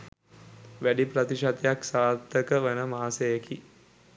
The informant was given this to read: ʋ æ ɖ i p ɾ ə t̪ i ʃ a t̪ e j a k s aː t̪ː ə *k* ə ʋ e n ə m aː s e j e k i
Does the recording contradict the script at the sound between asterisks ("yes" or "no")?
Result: no